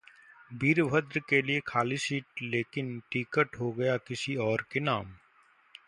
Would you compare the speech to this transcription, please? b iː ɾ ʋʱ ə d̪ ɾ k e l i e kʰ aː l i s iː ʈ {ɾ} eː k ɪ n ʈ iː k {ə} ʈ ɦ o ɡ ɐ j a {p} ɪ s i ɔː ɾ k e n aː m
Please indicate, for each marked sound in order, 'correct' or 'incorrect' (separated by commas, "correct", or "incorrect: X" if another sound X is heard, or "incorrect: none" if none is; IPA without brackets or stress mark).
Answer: incorrect: l, correct, incorrect: k